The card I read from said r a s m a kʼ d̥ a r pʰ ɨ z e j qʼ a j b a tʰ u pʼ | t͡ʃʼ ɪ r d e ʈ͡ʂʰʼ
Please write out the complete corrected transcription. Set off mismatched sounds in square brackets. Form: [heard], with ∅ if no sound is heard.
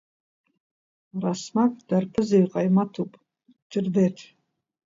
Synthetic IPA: r a s m a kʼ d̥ a r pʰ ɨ z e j qʼ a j [m] a tʰ u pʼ | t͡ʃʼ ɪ r d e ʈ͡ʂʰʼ